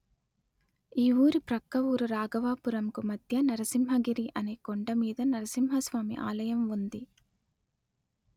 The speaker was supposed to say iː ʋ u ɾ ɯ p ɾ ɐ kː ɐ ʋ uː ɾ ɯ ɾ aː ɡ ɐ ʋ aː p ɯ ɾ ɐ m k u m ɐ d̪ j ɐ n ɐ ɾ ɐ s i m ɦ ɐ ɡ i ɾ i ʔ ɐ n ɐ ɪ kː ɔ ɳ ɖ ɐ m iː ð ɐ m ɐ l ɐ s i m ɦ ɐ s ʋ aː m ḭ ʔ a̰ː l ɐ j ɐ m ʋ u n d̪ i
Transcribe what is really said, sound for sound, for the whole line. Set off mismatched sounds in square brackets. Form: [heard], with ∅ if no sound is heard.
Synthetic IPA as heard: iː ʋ [uː] ɾ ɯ p ɾ ɐ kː ɐ ʋ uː ɾ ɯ ɾ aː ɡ ɐ ʋ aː p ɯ ɾ ɐ m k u m ɐ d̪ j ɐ n ɐ ɾ ɐ s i m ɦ ɐ ɡ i ɾ i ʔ ɐ n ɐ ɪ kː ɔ ɳ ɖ ɐ m iː ð ɐ [n] ɐ [ɾ] ɐ s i m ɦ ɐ s ʋ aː m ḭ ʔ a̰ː l ɐ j ɐ m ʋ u n d̪ i